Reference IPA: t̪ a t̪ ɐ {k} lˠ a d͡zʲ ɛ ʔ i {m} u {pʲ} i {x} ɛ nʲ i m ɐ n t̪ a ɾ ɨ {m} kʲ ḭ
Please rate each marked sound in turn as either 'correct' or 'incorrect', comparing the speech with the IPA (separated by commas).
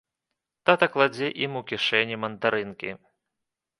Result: correct, correct, incorrect, incorrect, incorrect